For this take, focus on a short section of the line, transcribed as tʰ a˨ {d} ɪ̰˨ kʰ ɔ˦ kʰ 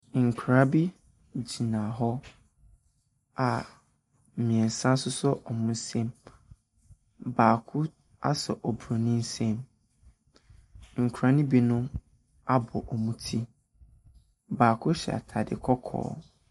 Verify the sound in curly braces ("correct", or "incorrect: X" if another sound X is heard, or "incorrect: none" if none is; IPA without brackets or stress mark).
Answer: correct